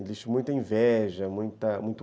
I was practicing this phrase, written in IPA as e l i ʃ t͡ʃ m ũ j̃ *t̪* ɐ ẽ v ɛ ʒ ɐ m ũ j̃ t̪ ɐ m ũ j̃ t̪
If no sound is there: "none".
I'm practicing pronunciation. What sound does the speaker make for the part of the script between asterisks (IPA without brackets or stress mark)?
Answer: t̪